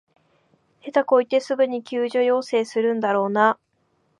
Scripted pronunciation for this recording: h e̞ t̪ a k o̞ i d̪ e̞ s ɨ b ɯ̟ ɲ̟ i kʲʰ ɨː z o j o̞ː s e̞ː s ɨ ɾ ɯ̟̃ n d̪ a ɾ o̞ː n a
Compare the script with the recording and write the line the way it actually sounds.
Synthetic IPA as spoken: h e̞ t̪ a k o̞ i t̪ e̞ s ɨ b ɯ̟ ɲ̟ i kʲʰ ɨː ʑ o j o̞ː s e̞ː s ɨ ɾ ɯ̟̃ n d̪ a ɾ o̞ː n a